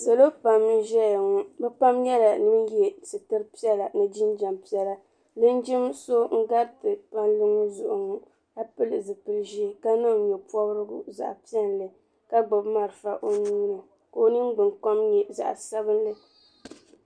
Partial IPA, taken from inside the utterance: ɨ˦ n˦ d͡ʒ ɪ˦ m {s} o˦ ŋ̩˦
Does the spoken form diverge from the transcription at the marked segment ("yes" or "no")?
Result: no